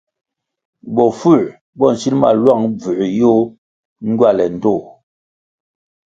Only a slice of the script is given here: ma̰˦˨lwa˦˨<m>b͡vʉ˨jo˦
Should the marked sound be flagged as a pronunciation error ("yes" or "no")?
yes